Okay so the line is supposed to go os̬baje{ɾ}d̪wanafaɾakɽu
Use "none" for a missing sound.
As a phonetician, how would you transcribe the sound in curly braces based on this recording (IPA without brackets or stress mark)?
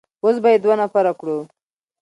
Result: none